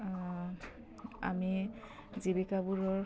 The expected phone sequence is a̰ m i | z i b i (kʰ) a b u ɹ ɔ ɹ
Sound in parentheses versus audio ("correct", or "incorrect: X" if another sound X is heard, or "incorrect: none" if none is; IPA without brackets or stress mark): incorrect: k